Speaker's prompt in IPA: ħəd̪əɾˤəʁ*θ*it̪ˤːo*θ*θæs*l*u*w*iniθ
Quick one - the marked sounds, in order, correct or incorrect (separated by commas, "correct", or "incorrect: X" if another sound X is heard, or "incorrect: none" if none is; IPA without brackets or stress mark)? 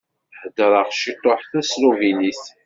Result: incorrect: ʃ, incorrect: ħ, correct, incorrect: v